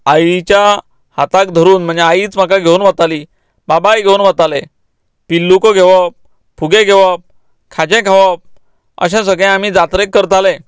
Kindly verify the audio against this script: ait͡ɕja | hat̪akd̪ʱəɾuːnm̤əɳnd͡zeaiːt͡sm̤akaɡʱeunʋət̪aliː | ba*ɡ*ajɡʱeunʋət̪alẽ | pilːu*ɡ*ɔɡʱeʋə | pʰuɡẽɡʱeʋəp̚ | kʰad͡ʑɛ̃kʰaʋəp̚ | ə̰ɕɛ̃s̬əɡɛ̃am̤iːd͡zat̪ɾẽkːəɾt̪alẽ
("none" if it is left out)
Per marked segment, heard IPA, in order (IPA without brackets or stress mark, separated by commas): b, k